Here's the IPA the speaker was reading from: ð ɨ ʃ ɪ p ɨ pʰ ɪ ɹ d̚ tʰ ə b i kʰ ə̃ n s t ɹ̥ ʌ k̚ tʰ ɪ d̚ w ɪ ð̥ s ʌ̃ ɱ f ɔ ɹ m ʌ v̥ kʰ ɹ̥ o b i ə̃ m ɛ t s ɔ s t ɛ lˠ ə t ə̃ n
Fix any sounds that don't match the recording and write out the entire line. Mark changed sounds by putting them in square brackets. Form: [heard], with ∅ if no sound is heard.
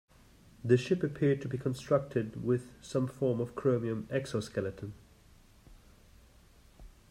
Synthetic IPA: ð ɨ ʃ ɪ p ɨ pʰ ɪ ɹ d̚ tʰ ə b i kʰ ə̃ n s t ɹ̥ ʌ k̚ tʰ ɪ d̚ w ɪ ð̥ s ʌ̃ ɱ f ɔ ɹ m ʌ v̥ kʰ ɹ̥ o [m] i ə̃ m ɛ [k] s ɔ s [k] ɛ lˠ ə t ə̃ n